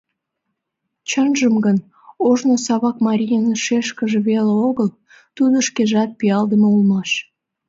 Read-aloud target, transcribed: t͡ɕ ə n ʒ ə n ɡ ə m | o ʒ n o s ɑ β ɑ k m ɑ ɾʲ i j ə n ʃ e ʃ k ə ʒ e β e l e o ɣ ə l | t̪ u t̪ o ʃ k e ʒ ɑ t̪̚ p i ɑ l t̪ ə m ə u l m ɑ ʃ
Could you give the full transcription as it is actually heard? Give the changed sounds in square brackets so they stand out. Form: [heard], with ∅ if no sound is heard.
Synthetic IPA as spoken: t͡ɕ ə n ʒ ə [m] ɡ ə [n] | o ʒ n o s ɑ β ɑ k m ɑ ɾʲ i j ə n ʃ e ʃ k ə ʒ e β e l e o ɣ ə l | t̪ u [d̪] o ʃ k e ʒ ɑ t̪̚ p i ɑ l [d̪] ə m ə u l m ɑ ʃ